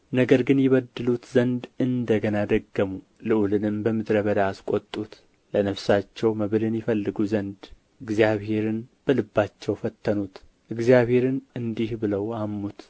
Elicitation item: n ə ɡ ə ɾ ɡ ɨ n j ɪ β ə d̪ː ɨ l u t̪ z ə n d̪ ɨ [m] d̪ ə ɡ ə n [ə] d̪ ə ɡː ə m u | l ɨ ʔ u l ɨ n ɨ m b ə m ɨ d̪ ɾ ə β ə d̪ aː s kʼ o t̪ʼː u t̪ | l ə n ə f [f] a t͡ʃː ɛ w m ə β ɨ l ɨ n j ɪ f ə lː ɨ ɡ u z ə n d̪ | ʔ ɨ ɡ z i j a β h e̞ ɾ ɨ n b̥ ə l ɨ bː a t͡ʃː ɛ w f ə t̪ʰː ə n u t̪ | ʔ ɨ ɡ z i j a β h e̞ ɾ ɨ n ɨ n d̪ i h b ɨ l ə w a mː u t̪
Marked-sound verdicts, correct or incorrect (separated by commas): incorrect, incorrect, incorrect